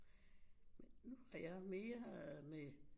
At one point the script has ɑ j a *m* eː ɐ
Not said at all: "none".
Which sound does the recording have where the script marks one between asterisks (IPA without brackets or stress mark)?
m